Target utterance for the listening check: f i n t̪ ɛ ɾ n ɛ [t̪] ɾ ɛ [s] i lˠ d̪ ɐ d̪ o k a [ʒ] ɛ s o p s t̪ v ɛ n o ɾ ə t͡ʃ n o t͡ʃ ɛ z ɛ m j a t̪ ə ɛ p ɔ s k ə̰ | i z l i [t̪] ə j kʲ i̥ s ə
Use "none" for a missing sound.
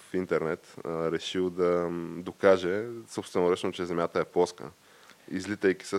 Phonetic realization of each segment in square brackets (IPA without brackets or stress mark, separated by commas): t̪, ʃ, ʒ, t̪